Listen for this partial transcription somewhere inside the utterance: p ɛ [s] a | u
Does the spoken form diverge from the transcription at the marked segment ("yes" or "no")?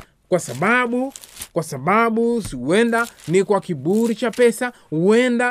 no